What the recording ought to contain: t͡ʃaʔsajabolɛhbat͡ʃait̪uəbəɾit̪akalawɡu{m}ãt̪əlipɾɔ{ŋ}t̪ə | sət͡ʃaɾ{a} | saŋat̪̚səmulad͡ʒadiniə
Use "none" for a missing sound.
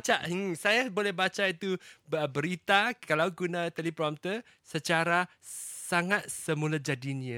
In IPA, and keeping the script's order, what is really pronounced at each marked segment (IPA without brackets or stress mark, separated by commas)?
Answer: n, m, a